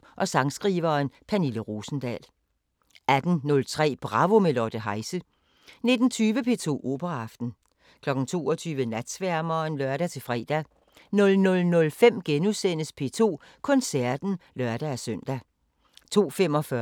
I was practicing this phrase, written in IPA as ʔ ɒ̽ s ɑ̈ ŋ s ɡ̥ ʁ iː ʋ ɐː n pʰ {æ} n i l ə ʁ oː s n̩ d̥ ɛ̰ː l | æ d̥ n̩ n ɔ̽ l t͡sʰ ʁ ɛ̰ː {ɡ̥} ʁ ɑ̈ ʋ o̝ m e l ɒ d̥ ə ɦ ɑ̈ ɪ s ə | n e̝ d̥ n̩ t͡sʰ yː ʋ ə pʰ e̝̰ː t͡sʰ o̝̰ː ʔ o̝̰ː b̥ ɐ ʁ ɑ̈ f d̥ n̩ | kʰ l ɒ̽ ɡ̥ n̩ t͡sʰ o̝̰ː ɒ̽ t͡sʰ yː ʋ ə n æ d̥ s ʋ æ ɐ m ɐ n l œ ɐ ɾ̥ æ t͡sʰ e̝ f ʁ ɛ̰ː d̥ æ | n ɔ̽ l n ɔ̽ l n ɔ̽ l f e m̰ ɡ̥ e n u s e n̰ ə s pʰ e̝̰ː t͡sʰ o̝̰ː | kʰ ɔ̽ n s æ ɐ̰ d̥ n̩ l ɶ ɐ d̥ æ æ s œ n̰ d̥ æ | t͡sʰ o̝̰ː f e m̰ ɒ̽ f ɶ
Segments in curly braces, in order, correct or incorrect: correct, incorrect: b̥

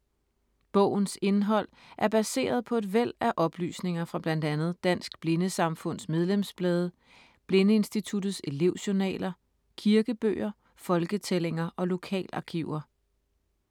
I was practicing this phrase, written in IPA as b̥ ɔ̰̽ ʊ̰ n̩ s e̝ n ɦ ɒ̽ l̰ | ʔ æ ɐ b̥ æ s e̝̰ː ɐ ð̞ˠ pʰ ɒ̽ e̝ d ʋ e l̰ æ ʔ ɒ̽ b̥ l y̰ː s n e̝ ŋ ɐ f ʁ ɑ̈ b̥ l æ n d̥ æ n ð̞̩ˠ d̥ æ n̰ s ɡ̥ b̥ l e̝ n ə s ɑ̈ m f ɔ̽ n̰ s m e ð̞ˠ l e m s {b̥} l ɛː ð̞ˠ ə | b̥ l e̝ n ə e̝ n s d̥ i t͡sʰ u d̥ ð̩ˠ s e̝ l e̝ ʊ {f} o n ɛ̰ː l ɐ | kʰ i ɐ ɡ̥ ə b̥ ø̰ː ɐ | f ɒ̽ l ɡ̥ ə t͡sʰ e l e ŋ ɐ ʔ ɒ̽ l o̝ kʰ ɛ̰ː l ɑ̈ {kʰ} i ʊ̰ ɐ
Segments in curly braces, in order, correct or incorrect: correct, incorrect: ɕ, correct

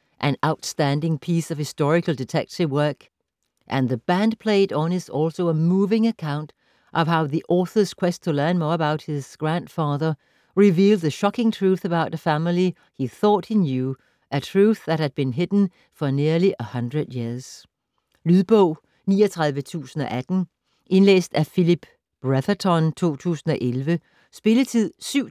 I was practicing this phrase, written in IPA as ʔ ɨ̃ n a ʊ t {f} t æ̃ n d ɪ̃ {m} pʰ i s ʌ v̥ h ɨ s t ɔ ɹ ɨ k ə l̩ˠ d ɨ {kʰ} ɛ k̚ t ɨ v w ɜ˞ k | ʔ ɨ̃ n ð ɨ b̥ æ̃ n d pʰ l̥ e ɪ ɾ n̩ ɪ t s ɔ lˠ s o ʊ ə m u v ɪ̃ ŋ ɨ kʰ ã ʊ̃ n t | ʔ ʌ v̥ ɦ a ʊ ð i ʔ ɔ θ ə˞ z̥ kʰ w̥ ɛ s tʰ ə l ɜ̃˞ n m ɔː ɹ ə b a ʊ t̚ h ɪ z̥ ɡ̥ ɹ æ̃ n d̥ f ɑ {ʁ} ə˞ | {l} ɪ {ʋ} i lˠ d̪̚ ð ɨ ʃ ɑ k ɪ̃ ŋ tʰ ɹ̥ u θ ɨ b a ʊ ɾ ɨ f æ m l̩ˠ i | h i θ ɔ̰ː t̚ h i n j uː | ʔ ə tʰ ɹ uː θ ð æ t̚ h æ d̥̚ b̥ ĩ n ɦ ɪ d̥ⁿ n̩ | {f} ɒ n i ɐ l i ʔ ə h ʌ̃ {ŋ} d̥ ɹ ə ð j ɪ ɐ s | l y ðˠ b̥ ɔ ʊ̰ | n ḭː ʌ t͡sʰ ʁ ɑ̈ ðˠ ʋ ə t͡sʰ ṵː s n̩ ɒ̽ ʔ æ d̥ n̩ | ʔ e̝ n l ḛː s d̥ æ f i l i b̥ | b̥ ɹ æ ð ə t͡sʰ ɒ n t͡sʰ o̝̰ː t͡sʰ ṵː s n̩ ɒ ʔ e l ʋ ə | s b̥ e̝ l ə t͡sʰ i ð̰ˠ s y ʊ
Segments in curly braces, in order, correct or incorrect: incorrect: s, incorrect: ŋ, incorrect: tʰ, incorrect: ð, incorrect: ɹ, incorrect: v, correct, incorrect: n

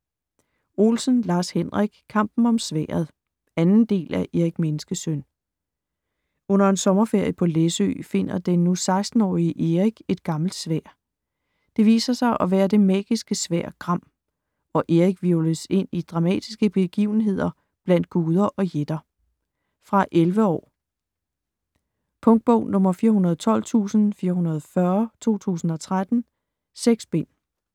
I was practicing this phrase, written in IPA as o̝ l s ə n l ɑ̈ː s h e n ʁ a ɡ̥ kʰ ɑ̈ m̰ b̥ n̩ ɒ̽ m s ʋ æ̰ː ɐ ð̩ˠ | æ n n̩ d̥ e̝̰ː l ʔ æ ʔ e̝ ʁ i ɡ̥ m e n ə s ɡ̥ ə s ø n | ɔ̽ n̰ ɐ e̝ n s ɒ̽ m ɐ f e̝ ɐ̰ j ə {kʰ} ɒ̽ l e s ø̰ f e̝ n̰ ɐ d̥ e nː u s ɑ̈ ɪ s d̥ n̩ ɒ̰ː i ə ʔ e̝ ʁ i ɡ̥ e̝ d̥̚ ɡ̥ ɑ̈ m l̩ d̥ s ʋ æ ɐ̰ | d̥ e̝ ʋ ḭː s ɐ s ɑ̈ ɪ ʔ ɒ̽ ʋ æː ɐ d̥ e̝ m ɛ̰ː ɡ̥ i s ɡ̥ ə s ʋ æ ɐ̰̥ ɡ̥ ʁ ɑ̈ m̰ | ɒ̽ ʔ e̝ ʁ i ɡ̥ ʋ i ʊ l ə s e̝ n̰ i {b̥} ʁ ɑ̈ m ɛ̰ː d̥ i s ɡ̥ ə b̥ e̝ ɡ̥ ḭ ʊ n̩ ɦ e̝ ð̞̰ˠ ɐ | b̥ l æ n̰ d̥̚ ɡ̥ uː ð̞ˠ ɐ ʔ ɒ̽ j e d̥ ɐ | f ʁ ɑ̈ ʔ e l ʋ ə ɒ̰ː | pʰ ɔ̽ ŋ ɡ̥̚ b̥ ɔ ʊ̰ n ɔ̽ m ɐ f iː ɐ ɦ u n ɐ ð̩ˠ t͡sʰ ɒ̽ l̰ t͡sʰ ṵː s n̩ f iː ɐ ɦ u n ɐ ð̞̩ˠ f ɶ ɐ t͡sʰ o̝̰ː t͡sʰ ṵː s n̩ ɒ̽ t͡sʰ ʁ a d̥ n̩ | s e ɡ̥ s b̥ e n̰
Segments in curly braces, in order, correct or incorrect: incorrect: pʰ, incorrect: d̥

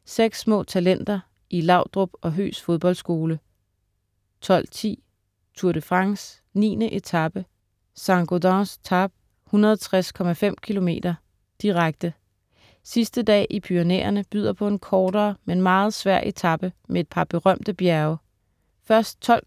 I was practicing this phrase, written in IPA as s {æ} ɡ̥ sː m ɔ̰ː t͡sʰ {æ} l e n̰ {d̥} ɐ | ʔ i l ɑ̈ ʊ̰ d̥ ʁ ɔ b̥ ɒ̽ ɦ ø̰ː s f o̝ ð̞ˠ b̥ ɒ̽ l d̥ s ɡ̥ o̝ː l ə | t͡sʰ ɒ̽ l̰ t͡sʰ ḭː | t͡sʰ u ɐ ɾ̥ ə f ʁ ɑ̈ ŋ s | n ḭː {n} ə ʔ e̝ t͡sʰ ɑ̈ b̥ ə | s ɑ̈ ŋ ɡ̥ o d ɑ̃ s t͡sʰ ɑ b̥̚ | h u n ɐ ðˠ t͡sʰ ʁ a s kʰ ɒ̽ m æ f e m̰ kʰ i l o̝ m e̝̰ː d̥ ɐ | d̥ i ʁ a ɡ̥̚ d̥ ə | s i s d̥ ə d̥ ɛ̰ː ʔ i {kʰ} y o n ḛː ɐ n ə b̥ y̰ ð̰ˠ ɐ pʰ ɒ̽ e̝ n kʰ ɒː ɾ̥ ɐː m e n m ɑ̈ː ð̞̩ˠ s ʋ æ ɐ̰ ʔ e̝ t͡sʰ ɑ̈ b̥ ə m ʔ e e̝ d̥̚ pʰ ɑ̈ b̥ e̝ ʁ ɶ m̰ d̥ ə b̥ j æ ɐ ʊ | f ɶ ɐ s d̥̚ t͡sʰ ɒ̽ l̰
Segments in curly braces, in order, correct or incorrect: incorrect: e, correct, correct, correct, incorrect: pʰ

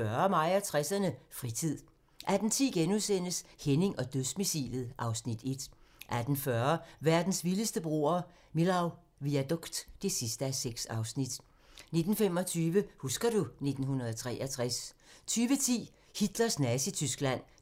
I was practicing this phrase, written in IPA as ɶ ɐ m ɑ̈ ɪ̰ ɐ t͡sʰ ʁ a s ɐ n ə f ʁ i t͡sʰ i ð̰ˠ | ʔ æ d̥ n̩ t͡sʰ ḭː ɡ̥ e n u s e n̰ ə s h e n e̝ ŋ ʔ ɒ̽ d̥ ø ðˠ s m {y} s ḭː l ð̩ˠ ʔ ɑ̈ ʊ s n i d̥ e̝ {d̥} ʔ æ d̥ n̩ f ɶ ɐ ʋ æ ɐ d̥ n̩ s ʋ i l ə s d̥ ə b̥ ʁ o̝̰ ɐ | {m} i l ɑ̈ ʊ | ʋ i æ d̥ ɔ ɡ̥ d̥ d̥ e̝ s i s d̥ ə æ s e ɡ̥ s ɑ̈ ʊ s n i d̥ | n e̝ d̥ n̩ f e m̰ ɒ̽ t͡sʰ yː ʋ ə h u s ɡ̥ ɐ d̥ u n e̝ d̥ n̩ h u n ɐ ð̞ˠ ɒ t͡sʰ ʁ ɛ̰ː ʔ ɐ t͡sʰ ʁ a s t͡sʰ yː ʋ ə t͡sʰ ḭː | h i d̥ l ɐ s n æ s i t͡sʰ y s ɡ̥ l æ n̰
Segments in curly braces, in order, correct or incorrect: incorrect: i, correct, correct

